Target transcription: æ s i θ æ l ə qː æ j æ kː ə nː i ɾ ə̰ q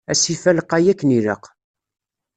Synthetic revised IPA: æ s i f æ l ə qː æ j æ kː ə n i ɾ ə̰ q